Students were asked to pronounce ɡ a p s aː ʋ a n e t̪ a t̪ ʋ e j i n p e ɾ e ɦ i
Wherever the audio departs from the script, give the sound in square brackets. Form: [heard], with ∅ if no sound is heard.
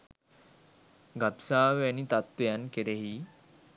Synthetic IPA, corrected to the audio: ɡ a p s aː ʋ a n [i] t̪ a t̪ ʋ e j [a] n [k] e ɾ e ɦ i